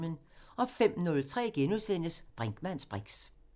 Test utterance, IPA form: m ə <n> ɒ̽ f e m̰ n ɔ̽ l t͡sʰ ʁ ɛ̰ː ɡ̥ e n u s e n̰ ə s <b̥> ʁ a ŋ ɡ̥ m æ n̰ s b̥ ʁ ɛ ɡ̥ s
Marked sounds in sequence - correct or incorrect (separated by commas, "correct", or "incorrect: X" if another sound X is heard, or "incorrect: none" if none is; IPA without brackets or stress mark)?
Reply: correct, correct